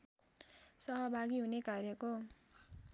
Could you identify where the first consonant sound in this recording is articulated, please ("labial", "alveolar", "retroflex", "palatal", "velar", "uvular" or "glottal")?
alveolar